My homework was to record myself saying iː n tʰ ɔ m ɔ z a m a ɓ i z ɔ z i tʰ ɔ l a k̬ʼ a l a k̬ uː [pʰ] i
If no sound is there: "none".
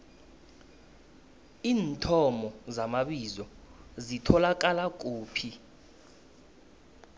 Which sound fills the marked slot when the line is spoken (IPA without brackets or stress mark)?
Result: pʰ